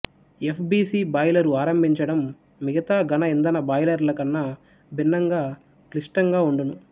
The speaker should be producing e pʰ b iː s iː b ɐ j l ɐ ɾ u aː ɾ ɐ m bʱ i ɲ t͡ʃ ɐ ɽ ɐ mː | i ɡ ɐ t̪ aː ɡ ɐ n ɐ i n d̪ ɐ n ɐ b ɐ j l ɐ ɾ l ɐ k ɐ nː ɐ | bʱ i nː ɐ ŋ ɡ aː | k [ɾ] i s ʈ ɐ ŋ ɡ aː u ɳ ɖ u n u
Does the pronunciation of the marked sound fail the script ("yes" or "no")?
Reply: yes